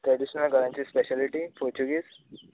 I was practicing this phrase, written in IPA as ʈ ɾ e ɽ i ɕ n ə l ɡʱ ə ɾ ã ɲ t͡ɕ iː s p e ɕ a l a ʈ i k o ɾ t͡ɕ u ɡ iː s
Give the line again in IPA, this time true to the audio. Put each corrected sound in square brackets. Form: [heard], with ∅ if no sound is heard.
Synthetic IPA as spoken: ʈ ɾ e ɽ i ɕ n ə l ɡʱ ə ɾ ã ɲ t͡ɕ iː s p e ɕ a l [i] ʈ i [p] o ɾ t͡ɕ u ɡ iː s